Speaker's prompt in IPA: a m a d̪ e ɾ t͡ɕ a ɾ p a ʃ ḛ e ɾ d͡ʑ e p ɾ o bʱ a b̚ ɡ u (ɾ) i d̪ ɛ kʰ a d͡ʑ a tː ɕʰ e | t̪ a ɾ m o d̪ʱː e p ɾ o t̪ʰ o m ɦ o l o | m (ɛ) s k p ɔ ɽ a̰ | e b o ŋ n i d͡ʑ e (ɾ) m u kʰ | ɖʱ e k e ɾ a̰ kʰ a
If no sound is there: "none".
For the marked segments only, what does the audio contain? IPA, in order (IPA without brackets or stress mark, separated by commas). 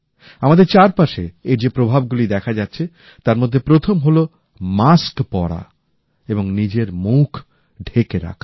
l, a, ɾ